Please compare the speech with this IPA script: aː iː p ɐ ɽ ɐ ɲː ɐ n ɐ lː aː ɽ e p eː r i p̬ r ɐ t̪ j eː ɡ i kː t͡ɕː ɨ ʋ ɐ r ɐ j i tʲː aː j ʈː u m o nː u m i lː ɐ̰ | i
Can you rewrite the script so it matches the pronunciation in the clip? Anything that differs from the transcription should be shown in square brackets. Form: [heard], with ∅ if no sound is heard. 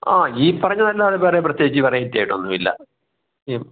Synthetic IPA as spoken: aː iː p ɐ [r] ɐ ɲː ɐ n ɐ lː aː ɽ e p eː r [e] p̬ r ɐ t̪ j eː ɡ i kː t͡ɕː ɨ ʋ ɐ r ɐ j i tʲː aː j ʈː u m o nː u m i lː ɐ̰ | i